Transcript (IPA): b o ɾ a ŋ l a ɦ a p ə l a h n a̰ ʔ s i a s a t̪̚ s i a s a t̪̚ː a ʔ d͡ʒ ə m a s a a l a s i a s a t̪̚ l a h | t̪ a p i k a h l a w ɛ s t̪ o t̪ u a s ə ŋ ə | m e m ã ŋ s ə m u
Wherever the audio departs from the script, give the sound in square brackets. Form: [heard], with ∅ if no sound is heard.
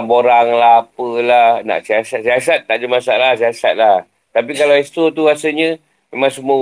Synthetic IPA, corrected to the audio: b o ɾ a ŋ l a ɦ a p ə l a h n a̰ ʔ s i a s a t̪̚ s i a s a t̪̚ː a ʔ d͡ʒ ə m a s a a l a s i a s a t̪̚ l a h | t̪ a p i k a [∅] l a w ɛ s t̪ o t̪ u a s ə [ɲ] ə | m e m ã ŋ s ə m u